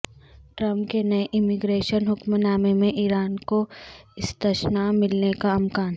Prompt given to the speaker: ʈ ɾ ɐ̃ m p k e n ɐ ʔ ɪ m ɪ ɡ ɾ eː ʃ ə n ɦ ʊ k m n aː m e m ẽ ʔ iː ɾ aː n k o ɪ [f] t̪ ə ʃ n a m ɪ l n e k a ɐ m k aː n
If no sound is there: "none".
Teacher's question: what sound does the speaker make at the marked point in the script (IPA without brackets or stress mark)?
s